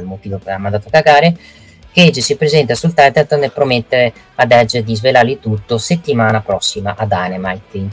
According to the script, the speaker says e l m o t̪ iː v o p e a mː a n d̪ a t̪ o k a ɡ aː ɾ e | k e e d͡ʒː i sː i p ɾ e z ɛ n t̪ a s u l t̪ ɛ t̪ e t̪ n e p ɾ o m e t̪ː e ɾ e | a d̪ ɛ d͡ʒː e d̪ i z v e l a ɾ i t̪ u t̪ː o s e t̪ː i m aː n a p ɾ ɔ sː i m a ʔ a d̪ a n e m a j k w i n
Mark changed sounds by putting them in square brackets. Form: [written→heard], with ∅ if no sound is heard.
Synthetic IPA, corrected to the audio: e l m o t̪ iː v o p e a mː a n d̪ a t̪ o k a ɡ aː ɾ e | k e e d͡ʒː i [sː→s] i p ɾ e z ɛ n t̪ a s u l t̪ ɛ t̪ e t̪ n e p ɾ o m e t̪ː e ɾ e | a d̪ ɛ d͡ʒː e d̪ i z v e l a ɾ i t̪ u t̪ː o s e t̪ː i m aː n a p ɾ ɔ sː i m a ʔ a d̪ a n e m a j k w i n